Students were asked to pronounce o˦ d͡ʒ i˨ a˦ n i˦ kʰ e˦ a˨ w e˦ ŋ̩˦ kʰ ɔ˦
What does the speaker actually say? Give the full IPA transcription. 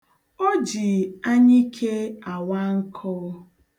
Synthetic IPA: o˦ d͡ʒ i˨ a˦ ɲ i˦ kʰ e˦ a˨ w a˦ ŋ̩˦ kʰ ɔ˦